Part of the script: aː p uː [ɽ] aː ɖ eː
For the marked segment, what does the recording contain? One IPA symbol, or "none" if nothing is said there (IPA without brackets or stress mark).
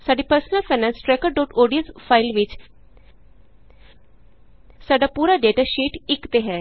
ɾ